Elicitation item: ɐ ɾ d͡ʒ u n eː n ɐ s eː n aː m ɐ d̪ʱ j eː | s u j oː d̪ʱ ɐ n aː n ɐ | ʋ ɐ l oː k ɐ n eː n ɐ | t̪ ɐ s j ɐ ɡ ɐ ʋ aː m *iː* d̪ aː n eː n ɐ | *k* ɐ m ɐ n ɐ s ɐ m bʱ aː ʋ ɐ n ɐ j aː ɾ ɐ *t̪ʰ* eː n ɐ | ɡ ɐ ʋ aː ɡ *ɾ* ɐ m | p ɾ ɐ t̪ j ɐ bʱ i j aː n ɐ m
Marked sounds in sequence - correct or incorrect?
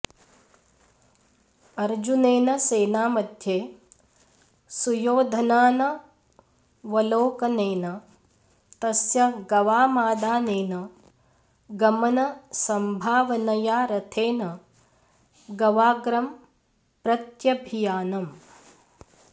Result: incorrect, incorrect, correct, correct

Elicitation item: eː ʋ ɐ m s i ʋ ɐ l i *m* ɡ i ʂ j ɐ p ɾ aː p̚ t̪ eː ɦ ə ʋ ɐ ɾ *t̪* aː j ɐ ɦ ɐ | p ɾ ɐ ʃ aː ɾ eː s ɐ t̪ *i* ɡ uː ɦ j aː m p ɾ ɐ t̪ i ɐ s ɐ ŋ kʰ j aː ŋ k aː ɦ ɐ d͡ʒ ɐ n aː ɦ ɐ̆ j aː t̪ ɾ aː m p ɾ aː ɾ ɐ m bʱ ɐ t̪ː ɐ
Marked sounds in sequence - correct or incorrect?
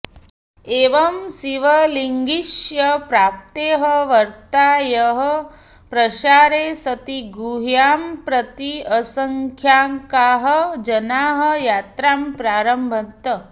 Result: incorrect, correct, correct

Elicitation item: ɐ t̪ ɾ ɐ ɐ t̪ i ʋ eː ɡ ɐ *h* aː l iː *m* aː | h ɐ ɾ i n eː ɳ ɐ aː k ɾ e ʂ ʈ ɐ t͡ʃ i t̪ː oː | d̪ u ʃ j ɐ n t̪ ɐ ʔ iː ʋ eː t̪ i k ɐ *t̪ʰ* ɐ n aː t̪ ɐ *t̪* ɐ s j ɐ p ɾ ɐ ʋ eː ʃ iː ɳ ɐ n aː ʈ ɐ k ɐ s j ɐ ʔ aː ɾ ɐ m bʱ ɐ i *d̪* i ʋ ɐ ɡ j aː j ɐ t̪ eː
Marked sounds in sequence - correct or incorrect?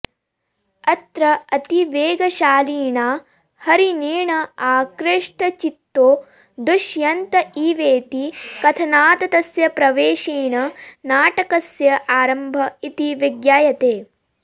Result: incorrect, incorrect, correct, correct, incorrect

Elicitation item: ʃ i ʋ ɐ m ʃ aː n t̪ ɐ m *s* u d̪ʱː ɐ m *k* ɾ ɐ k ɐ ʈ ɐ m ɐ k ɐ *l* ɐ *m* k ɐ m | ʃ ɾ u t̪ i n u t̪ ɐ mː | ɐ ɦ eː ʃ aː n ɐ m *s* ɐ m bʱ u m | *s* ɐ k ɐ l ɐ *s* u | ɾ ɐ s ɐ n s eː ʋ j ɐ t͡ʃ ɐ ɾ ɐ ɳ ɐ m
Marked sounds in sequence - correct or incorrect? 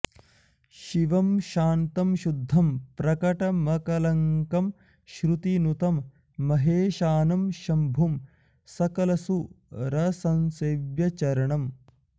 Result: incorrect, incorrect, correct, incorrect, incorrect, correct, correct

